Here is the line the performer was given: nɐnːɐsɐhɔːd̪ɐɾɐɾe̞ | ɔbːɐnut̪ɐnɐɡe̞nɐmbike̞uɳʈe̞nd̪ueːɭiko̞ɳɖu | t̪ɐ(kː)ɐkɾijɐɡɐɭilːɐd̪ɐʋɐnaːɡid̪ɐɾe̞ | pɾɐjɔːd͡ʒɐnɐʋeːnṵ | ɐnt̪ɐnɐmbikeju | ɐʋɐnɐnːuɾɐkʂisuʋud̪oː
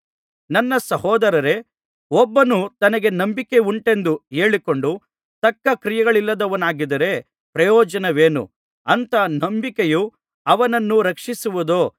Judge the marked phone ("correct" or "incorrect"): correct